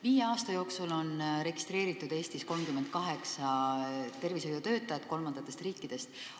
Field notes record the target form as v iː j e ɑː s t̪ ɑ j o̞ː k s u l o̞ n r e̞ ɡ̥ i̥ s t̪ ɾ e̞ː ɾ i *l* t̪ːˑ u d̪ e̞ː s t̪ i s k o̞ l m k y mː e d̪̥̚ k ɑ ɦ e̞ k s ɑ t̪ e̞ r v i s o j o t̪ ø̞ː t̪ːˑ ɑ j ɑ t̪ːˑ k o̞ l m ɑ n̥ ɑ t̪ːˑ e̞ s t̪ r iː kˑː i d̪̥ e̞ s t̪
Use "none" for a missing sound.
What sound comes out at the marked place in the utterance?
none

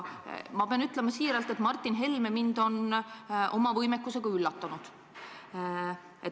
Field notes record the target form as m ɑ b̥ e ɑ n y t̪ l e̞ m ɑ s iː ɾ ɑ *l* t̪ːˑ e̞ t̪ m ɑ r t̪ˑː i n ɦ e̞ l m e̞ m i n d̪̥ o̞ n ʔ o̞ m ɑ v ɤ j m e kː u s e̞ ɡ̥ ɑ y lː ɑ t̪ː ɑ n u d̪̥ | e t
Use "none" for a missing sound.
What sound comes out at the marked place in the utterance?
l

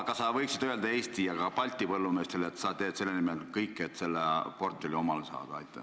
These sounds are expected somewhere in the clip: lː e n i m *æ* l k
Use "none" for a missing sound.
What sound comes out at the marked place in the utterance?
e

